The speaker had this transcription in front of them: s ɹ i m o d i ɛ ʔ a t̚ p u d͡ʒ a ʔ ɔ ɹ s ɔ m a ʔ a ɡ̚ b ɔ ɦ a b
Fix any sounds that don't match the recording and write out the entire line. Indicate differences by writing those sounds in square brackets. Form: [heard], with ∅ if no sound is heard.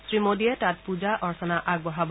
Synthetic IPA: s ɹ i m o d i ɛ [t] a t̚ p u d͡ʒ a ʔ ɔ ɹ s ɔ [n] a ʔ a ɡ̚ b ɔ ɦ a b